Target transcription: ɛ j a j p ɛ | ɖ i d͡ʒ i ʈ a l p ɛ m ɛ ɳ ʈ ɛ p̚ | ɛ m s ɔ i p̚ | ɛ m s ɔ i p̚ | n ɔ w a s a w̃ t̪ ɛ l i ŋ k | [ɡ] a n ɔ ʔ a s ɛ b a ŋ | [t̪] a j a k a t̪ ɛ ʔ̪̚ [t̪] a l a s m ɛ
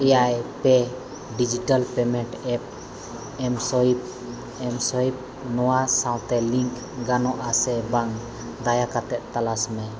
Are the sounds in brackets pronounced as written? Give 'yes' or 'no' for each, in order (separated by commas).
yes, no, yes